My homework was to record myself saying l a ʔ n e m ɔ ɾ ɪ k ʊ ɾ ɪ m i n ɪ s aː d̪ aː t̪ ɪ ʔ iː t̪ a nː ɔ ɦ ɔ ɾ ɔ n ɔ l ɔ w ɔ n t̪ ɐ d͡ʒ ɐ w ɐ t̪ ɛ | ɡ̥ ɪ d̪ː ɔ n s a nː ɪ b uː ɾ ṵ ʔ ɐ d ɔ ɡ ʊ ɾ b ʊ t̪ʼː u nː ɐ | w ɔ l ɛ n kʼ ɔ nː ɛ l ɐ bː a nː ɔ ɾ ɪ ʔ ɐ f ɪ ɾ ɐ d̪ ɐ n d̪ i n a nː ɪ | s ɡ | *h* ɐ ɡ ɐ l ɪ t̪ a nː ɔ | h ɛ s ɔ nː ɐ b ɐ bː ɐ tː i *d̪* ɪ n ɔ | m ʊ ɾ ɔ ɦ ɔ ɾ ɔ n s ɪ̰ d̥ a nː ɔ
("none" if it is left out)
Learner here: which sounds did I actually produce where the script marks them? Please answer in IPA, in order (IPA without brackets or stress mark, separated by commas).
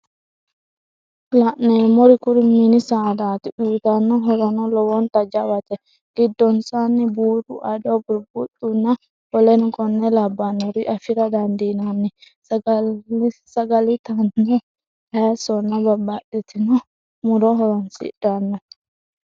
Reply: s, t̪